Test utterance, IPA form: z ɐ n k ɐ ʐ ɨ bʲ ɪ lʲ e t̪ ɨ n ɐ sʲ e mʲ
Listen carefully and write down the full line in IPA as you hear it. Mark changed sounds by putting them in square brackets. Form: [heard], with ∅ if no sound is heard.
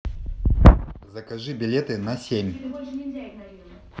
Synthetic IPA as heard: z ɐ [∅] k ɐ ʐ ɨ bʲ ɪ lʲ e t̪ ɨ n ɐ sʲ e mʲ